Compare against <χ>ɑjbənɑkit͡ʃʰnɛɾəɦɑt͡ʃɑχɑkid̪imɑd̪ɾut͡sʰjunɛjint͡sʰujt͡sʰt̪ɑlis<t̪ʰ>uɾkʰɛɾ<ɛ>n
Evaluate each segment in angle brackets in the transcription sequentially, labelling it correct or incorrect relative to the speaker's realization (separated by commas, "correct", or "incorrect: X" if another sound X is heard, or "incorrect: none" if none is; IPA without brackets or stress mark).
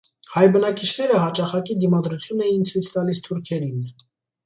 incorrect: h, correct, incorrect: i